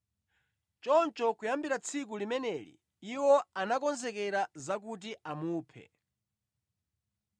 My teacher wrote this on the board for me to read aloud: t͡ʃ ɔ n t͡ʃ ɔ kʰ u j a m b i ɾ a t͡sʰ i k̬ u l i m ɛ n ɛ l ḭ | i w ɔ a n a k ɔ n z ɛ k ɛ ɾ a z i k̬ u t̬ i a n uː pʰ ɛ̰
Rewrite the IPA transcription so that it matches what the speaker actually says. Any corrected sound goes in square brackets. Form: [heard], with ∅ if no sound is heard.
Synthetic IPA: t͡ʃ ɔ n t͡ʃ ɔ [k] u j a m b i ɾ a t͡sʰ i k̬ u l i m ɛ n ɛ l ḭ | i w ɔ a n a k ɔ n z ɛ k ɛ ɾ a z [a] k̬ u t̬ i a [m] uː pʰ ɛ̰